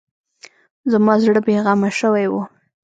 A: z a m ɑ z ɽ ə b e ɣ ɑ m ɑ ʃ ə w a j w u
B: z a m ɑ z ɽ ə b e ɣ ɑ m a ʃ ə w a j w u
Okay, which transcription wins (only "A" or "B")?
B